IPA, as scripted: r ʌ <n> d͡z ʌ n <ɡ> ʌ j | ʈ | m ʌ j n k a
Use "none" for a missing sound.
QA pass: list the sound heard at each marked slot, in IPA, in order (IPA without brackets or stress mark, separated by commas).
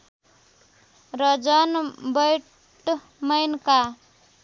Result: none, b